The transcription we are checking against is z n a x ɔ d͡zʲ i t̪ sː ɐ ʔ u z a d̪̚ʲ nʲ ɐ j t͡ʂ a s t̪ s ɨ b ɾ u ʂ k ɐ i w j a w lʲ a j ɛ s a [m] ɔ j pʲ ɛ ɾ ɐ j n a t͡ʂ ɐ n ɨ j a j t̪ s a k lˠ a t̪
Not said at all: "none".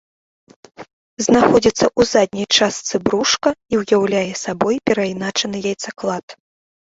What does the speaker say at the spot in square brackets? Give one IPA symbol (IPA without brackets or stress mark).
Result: b